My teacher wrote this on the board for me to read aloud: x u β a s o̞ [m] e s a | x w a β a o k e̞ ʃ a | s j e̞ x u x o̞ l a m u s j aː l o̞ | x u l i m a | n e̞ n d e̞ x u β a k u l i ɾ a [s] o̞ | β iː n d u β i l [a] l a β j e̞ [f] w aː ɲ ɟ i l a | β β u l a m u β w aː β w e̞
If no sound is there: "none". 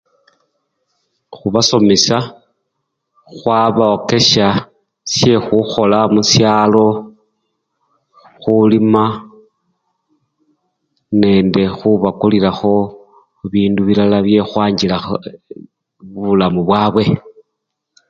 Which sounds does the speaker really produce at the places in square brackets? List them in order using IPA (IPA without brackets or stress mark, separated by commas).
m, x, a, x